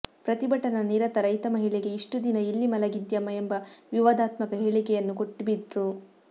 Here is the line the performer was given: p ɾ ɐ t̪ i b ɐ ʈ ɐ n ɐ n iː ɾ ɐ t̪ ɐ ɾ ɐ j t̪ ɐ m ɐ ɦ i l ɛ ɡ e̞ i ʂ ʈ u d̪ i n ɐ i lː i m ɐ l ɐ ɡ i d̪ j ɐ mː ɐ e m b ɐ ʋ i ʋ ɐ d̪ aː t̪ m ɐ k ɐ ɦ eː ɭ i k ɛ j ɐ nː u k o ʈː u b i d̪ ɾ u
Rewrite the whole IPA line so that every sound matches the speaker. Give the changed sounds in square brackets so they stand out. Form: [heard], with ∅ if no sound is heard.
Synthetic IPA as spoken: p ɾ ɐ t̪ i b ɐ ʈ ɐ n ɐ n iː ɾ ɐ t̪ ɐ ɾ ɐ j t̪ ɐ m ɐ ɦ i [ɭ] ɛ ɡ e̞ i ʂ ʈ u d̪ i n ɐ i lː i m ɐ l ɐ ɡ i d̪ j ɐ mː ɐ e m b ɐ ʋ i ʋ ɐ d̪ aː t̪ m ɐ k ɐ ɦ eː ɭ i k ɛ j ɐ nː u k o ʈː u b i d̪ ɾ u